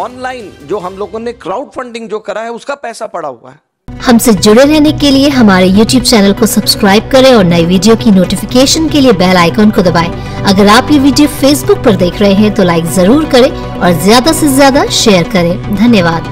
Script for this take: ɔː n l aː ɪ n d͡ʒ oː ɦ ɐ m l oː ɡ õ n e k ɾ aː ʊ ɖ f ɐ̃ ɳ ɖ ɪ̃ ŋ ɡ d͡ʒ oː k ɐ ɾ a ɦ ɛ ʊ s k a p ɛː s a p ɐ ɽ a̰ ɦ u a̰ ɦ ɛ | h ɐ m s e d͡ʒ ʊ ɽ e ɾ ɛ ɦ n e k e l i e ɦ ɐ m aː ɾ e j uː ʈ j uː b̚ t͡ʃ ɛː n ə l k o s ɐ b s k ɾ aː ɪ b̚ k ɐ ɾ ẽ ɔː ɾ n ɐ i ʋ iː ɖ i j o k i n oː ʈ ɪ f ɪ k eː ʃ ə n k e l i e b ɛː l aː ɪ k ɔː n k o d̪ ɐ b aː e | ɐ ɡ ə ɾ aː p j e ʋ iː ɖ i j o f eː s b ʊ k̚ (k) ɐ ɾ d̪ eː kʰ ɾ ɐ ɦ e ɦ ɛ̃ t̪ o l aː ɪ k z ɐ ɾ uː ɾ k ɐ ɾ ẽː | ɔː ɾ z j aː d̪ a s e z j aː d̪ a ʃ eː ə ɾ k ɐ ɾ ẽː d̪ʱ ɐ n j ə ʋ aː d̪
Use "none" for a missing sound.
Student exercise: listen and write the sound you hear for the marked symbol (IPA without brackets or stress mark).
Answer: p